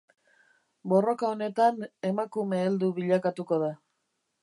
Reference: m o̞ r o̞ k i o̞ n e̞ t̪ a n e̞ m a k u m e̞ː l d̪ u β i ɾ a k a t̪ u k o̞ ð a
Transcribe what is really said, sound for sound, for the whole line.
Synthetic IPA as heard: b o̞ r o̞ k a o̞ n e̞ t̪ a n e̞ m a k u m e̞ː l d̪ u β i ʎ a k a t̪ u k o̞ ð a